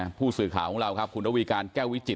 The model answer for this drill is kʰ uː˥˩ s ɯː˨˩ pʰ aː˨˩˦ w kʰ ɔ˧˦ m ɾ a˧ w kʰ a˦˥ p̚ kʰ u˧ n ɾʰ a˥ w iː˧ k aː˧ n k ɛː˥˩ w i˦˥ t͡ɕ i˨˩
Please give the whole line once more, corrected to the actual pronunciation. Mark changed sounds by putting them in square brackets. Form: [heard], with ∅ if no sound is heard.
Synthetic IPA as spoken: [pʰ] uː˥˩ s ɯː˨˩ [kʰ] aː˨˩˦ w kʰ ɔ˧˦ [ŋ] ɾ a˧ w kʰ a˦˥ p̚ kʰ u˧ n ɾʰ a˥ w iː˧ k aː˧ n k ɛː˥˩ w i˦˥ t͡ɕ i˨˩